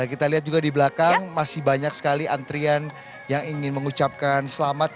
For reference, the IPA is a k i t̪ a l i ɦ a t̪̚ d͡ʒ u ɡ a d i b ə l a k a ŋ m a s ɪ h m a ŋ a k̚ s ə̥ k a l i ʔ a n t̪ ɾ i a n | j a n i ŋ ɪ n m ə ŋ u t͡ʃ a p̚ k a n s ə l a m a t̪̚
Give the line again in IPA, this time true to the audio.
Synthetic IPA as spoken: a k i t̪ a l i ɦ a t̪̚ d͡ʒ u ɡ a d i b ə l a k a ŋ m a s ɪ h b a ɲ a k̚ s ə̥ k a l i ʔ a n t̪ ɾ i a n | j a ŋ i ŋ ɪ n m ə ŋ u t͡ʃ a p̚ k a n s ə l a m a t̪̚